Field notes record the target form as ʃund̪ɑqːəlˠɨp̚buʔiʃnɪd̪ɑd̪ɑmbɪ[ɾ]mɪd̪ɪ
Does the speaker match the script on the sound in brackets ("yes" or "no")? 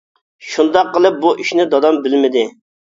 no